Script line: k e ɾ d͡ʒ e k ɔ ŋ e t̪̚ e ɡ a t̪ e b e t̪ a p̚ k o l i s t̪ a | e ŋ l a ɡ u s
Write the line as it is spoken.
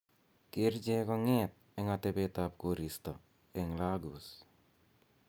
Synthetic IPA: k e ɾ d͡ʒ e k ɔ ŋ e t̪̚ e ŋ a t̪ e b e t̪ a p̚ k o ɾ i s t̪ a | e ŋ l a ɡ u s

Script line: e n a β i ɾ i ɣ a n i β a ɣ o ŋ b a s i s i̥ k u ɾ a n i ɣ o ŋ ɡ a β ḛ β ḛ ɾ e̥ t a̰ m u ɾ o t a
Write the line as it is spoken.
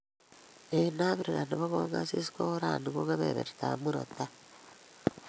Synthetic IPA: e n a β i ɾ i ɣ a n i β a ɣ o ŋ ɡ a s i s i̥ k o ɾ a n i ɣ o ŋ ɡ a β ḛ β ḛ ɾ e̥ t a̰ m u ɾ o t a

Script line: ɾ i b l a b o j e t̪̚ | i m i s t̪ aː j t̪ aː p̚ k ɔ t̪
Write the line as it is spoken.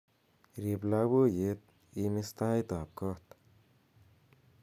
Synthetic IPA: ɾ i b l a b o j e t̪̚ | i m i s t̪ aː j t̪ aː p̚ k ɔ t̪

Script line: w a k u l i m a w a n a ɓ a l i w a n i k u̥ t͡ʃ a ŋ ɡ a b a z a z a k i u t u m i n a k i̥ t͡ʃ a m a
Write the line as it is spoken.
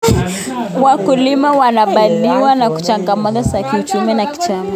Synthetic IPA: w a k u l i m a w a n a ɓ a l i w a n a k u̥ t͡ʃ a ŋ ɡ a m a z a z a k i u t͡ʃ u m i n a k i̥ t͡ʃ a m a

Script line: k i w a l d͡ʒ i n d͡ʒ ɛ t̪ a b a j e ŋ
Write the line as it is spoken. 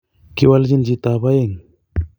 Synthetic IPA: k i w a l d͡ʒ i n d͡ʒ i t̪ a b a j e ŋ

